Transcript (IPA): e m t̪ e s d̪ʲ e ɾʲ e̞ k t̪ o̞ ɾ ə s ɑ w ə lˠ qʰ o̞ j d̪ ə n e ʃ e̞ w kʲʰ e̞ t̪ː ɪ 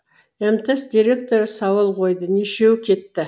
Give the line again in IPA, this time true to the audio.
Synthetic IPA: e m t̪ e s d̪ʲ i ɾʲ e̞ k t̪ o̞ ɾ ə s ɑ w ə lˠ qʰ o̞ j d̪ ə n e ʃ e̞ w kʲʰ e̞ t̪ː ɪ